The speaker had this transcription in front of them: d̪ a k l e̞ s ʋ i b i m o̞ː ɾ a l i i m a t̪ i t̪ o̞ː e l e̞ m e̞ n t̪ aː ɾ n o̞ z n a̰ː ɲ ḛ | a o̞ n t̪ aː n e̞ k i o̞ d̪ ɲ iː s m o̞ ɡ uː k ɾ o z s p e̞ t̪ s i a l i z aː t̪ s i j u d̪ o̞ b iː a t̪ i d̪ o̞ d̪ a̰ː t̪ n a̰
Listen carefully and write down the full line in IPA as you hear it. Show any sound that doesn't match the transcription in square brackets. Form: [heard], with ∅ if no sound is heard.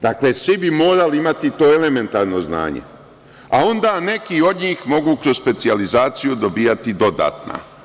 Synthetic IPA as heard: d̪ a k l e̞ s ʋ i b i m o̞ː ɾ a l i i m a t̪ i t̪ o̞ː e l e̞ m e̞ n t̪ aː ɾ n o̞ z n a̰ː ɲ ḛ | a o̞ n [d̪] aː n e̞ k i o̞ d̪ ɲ iː [x] m o̞ ɡ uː k ɾ o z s p e̞ t̪ s i a l i z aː t̪ s i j u d̪ o̞ b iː a t̪ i d̪ o̞ d̪ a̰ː t̪ n a̰